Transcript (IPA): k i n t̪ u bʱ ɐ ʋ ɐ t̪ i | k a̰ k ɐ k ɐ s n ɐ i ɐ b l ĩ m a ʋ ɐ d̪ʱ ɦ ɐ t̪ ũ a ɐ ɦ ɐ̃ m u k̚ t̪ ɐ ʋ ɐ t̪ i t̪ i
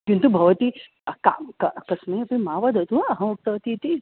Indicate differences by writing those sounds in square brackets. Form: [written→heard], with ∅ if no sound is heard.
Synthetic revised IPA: k i n t̪ u bʱ ɐ ʋ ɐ t̪ i | k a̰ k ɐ k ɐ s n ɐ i ɐ [b→p] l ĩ m a ʋ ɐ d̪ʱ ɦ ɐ t̪ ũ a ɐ ɦ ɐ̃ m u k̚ t̪ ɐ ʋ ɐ t̪ i t̪ i

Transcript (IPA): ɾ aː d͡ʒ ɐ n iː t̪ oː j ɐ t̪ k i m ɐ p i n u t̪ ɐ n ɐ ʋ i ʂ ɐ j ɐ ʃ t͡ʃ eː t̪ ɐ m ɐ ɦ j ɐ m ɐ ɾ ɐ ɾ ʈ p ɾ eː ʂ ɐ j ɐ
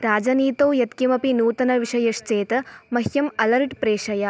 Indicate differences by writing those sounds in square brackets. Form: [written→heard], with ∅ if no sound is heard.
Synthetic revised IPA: ɾ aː d͡ʒ ɐ n iː t̪ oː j ɐ t̪ k i m ɐ p i n [u→uː] t̪ ɐ n ɐ ʋ i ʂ ɐ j ɐ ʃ t͡ʃ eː t̪ ɐ m ɐ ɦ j ɐ m ɐ [ɾ→l] ɐ ɾ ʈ p ɾ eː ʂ ɐ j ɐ

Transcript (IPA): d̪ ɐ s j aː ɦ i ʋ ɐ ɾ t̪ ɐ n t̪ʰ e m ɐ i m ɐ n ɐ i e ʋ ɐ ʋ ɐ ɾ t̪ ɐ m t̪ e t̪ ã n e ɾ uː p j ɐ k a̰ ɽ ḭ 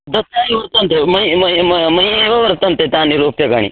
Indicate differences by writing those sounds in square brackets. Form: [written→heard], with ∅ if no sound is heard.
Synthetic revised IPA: d̪ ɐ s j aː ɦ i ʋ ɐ ɾ t̪ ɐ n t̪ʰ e m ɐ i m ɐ [n→m] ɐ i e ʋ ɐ ʋ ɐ ɾ t̪ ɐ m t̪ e t̪ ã n [e→i] ɾ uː p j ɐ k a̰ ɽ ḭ

